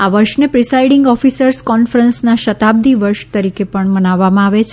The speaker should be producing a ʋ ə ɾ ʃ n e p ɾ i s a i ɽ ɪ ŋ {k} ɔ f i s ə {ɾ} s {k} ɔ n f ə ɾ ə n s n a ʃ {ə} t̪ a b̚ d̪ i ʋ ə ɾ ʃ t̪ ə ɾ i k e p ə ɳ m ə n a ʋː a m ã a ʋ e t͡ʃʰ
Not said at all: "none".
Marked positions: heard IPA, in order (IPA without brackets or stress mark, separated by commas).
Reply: ɡ, ɾ, k, ə